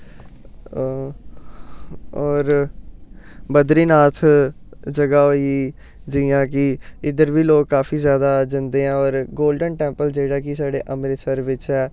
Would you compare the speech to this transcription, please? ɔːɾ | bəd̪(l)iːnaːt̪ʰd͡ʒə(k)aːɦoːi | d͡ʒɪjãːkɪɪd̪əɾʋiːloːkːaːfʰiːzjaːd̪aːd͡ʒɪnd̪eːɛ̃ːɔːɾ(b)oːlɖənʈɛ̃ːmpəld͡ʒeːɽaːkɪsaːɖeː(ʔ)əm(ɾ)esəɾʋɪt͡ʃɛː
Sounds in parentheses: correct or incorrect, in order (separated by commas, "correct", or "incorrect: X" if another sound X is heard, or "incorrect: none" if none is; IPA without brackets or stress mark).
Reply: incorrect: ɾ, incorrect: ɡ, incorrect: ɡ, correct, correct